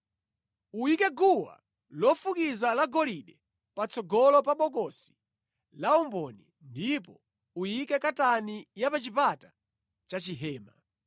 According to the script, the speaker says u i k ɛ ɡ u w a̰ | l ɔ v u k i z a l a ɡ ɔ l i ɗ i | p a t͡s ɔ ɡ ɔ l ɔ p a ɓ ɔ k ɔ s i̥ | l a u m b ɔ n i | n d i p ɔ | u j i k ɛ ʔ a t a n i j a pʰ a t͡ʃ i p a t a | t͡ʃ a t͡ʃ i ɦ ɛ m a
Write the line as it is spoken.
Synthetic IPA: u i k ɛ ɡ u w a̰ | l ɔ f u k i z a l a ɡ ɔ l i ɗ ɛ | p a t͡s ɔ ɡ ɔ l ɔ p a ɓ ɔ k ɔ s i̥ | l a u m b ɔ n i | n d i p ɔ | u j i k ɛ k a t a n i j a p a t͡ʃ i p a t a | t͡ʃ a t͡ʃ i ɦ ɛː m a

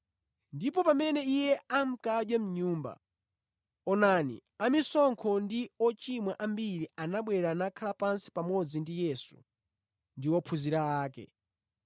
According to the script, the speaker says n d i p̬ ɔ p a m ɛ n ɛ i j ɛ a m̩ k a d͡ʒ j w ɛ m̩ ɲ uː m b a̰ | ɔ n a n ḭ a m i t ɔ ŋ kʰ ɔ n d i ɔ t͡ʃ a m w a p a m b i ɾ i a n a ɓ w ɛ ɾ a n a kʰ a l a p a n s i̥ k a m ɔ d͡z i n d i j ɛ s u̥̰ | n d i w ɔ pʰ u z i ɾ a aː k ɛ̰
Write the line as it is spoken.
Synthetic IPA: n d i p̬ ɔ p a m ɛ n ɛ i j ɛ a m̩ k a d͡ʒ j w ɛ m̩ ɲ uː m b a̰ | ɔ n a n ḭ a m i s ɔ ŋ kʰ ɔ n d i ɔ t͡ʃ i m w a ʔ a m b i ɾ i a n a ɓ w ɛ ɾ a n a kʰ a l a p a n s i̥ p a m ɔ d͡z i n d i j ɛ s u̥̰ | n d i w ɔ pʰ u z i ɾ a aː k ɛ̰

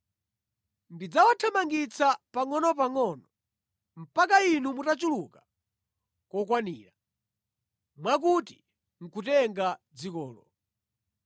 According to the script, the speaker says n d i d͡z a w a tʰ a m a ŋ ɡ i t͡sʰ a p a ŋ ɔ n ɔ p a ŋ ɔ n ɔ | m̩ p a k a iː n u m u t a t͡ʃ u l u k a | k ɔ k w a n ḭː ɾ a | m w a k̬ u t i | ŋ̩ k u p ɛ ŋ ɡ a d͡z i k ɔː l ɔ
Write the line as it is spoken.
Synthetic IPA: n d i d͡z a w a tʰ a m a ŋ ɡ i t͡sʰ a p a ŋ ɔ n ɔ p a ŋ ɔ n ɔ | m̩ p a k a i n u m u t a t͡ʃ u l u k a | k ɔ k w a n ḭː ɾ a | m w a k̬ u t i | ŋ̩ k u t ɛ ŋ ɡ a d͡z i k ɔː l ɔ

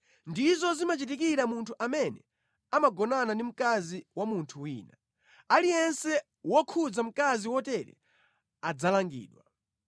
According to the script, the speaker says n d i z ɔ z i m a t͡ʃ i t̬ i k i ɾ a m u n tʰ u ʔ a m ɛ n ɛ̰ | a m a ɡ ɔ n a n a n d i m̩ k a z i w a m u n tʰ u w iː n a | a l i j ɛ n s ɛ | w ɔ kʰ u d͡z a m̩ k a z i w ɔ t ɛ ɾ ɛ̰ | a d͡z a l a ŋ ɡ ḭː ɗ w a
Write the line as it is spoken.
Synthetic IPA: n d i z ɔ z i m a t͡ʃ i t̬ i k i ɾ a m u n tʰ u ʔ a m ɛ n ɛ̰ | a m a ɡ ɔ n a n a n d i m̩ k a z i w a m u n tʰ u w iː n a | a l i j ɛ n s ɛ | w ɔ kʰ u d͡z a m̩ k a z i w ɔ t ɛ ɾ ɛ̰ | a d͡z a l a ŋ ɡ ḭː ɗ w a

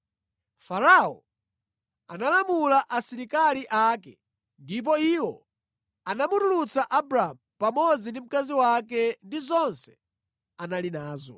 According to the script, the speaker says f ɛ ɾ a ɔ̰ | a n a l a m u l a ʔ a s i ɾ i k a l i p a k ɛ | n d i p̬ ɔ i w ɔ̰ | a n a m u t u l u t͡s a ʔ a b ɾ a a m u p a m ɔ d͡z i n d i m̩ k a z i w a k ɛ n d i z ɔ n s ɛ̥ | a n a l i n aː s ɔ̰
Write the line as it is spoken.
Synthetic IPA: f a ɾ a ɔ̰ | a n a l a m u l a ʔ a s i ɾ i k a l i ʔ a k ɛ | n d i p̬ ɔ i w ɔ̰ | a n a m u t u l u t͡s a ʔ a b ɾ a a m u p a m ɔ d͡z i n d i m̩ k a z i w a k ɛ n d i z ɔ n s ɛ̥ | a n a l i n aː z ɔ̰

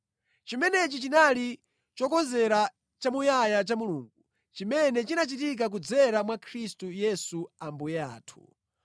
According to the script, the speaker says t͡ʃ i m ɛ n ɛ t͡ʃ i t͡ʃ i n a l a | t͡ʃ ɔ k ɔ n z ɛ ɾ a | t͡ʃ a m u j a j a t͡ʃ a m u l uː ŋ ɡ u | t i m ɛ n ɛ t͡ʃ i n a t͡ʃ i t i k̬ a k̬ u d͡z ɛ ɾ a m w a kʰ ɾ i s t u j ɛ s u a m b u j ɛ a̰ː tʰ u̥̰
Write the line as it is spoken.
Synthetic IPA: t͡ʃ i m ɛ n ɛ t͡ʃ i t͡ʃ i n a l i | t͡ʃ ɔ k ɔ n z ɛ ɾ a | t͡ʃ a m u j a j a t͡ʃ a m u l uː ŋ ɡ u | t͡ʃ i m ɛ n ɛ t͡ʃ i n a t͡ʃ i t i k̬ a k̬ u d͡z ɛ ɾ a m w a kʰ ɾ i s t u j ɛ s u a m b u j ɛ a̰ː tʰ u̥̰

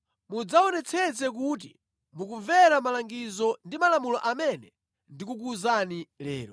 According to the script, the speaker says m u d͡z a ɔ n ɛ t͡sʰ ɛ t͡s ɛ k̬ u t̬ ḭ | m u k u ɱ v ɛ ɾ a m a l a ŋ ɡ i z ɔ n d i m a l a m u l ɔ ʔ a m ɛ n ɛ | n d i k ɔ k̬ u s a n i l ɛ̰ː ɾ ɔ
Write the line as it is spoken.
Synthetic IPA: m u d͡z a ɔ n ɛ t͡sʰ ɛ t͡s ɛ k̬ u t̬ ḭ | m u k u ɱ v ɛ ɾ a m a l a ŋ ɡ i z ɔ n d i m a l a m u l ɔ ʔ a m ɛ n ɛ | n d i k u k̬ u z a n i l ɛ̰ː ɾ ɔ

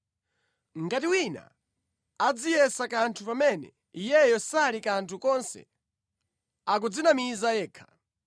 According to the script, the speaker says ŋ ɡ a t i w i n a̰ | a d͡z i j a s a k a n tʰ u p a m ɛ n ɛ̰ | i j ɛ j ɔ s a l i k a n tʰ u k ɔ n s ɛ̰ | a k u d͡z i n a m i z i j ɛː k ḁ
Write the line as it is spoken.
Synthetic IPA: ŋ ɡ a t i w i n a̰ | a d͡z i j ɛ s a k a n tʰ u p a m ɛ n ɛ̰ | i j ɛ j ɔ s a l i k a n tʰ u k ɔ n s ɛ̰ | a k u d͡z i n a m i z a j ɛː kʰ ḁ

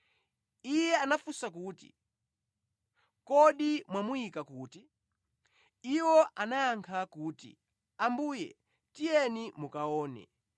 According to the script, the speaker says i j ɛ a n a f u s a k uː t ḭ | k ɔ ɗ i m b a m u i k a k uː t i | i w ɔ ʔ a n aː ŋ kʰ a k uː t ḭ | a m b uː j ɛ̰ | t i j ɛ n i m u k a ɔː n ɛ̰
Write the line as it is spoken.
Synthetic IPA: i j ɛ a n a f u s a k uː t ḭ | k ɔ ɗ i m w a m u i k a k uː t i | i w ɔ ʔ a n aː ŋ kʰ a k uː t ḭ | a m b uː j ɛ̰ | t i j ɛ n i m u k a ɔː n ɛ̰

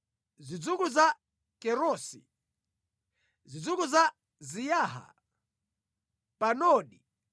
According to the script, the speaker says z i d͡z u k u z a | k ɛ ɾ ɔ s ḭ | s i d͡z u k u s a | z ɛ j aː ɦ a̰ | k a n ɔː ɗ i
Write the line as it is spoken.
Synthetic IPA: z i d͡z u k u z a | k ɛ ɾ ɔ s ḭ | z i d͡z u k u z a | z i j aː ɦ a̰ | p a n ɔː ɗ i

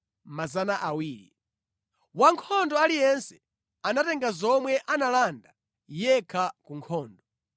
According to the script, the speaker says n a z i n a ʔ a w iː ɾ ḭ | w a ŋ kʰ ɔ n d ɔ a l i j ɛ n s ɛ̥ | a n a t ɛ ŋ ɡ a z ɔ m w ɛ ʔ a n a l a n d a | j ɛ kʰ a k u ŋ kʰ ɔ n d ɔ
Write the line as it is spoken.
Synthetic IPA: m a z a n a ʔ a w iː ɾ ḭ | w a ŋ kʰ ɔ n d ɔ a l i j ɛ n s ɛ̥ | a n a t ɛ ŋ ɡ a z ɔ m w ɛ ʔ a n a l a n d a | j ɛ kʰ a k u ŋ kʰ ɔː n d ɔ

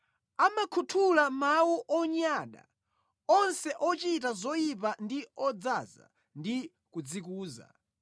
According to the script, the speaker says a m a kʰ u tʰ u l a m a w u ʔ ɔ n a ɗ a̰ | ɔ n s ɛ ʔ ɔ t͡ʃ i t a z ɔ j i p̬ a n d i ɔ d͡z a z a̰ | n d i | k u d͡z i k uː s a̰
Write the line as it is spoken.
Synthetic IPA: a m a kʰ u tʰ u l a m a w u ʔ ɔ ɲ a ɗ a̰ | ɔ n s ɛ ʔ ɔ t͡ʃ i t a z ɔ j i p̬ a n d i ɔ d͡z a z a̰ | n d i | k u d͡z i k uː z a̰

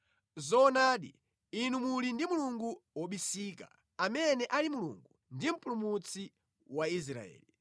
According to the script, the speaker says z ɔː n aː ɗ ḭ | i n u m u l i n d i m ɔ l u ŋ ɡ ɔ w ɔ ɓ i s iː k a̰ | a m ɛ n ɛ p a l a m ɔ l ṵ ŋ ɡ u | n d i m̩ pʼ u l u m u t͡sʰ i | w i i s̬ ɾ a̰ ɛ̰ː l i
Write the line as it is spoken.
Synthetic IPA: z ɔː n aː ɗ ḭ | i n u m u l i n d i m u l u ŋ ɡ u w ɔ ɓ i s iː k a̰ | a m ɛ n ɛ ʔ a l i m u l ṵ ŋ ɡ u | n d i m̩ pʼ u l u m u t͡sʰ i | w a i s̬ ɾ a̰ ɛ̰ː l i

